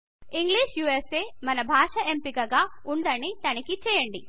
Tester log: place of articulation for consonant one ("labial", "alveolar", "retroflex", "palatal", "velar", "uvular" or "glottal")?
velar